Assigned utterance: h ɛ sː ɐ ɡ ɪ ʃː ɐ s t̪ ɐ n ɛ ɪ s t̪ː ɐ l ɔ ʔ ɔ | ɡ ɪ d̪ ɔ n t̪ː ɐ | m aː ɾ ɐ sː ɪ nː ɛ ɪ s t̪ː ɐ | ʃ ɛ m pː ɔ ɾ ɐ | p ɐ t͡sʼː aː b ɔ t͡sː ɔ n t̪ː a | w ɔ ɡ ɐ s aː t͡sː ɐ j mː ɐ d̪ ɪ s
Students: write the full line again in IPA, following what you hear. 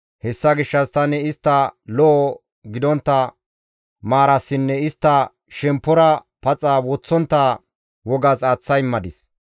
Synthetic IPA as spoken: h ɛ sː ɐ ɡ ɪ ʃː ɐ s t̪ ɐ n ɛ ɪ s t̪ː ɐ l ɔ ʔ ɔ | ɡ ɪ d̪ ɔ n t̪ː ɐ | m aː ɾ ɐ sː ɪ nː ɛ ɪ s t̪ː ɐ | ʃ ɛ m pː ɔ ɾ ɐ | p ɐ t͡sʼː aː w ɔ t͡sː ɔ n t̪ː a | w ɔ ɡ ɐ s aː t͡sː ɐ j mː ɐ d̪ ɪ s